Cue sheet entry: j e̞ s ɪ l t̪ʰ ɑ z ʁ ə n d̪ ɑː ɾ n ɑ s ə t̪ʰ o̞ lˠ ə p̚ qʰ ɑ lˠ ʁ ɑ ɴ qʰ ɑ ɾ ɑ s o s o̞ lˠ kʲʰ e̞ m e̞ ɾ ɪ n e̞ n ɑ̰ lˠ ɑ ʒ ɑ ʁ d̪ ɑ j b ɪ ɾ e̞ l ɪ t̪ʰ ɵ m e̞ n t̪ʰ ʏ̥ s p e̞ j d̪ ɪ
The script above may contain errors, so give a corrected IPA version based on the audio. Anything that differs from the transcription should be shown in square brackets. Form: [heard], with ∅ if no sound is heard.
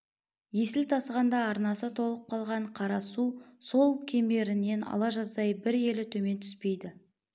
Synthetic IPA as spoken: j e̞ s ɪ l t̪ʰ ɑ [s] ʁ [ɑ] n d̪ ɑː ɾ n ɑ s ə t̪ʰ o̞ lˠ ə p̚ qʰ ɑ lˠ ʁ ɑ ɴ qʰ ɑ ɾ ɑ s [u] s o̞ lˠ kʲʰ e̞ m e̞ ɾ ɪ n e̞ n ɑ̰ lˠ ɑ ʒ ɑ [z] d̪ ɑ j b ɪ ɾ e̞ l ɪ t̪ʰ ɵ m e̞ n t̪ʰ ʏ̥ s p e̞ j d̪ ɪ